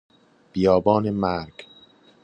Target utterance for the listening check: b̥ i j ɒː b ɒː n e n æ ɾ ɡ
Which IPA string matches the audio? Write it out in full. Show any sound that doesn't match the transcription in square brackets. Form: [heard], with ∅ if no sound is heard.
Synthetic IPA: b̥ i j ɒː b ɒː n e [m] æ ɾ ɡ